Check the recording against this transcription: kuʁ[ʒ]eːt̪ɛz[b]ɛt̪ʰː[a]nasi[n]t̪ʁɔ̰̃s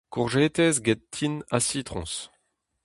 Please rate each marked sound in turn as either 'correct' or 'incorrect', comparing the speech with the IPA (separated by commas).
correct, incorrect, incorrect, incorrect